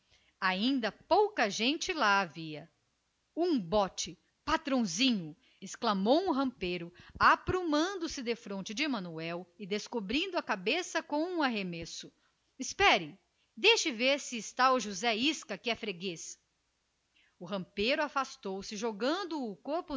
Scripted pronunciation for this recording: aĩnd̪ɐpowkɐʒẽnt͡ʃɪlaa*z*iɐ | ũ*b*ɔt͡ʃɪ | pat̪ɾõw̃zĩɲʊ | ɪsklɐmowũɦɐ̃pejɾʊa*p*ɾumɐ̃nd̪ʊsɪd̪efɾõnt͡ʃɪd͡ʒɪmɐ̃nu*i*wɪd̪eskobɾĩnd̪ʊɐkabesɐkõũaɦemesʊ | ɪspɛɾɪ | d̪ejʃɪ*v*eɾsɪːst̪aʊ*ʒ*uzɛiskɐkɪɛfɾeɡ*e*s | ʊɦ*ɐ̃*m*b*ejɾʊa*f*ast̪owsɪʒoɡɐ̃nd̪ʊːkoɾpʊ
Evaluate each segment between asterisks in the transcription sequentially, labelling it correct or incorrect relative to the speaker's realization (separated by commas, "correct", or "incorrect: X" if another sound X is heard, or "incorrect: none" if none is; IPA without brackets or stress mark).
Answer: incorrect: v, correct, correct, incorrect: ɛ, correct, correct, correct, correct, incorrect: p, correct